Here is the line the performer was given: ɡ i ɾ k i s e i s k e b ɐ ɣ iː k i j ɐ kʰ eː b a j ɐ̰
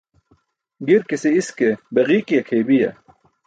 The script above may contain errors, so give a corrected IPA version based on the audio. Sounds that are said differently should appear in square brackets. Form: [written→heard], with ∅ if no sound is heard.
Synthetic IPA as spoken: ɡ i ɾ k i s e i s k e b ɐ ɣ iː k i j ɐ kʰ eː b [a→i] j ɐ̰